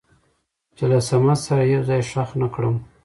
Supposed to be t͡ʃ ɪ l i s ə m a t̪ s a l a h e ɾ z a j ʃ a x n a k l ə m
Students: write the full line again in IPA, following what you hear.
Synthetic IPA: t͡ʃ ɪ l a s a m a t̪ s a ɾ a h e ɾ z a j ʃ a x n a k ɽ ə m